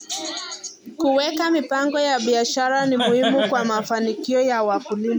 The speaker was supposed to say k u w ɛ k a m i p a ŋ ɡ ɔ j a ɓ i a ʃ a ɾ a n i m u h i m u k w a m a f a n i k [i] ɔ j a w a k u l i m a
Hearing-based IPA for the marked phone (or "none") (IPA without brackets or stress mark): i